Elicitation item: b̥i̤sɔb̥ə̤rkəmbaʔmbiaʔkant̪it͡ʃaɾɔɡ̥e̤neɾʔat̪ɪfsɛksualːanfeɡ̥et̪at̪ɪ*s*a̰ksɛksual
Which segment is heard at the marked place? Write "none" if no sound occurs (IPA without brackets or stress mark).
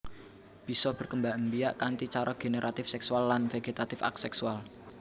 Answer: f